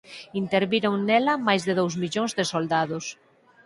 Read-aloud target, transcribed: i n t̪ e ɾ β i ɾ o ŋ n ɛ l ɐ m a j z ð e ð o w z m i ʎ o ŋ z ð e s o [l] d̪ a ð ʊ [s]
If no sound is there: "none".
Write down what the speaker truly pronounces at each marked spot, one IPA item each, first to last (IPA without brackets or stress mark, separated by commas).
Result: l, s